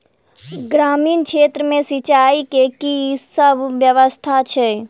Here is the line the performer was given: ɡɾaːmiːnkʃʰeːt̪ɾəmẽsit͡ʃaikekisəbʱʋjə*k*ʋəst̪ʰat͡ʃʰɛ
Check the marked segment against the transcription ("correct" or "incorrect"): incorrect